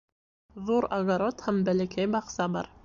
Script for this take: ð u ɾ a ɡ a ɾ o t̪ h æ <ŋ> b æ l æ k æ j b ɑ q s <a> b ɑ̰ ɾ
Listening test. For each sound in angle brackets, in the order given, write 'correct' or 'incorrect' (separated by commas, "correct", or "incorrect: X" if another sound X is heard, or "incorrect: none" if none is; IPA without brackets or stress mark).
incorrect: m, incorrect: ɑ